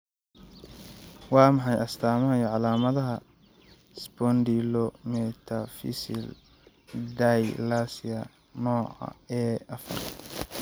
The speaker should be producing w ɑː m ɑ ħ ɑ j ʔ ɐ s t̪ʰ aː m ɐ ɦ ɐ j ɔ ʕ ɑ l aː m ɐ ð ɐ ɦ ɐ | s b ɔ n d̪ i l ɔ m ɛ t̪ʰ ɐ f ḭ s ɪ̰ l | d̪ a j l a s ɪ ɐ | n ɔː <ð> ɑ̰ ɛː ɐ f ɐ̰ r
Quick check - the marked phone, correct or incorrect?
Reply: incorrect